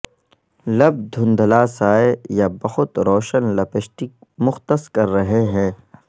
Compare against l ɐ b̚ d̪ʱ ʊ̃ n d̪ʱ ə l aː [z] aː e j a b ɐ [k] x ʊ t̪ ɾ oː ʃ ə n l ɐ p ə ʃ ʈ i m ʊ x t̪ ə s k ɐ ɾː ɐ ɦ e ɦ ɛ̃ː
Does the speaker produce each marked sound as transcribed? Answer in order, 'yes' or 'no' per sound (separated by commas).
no, no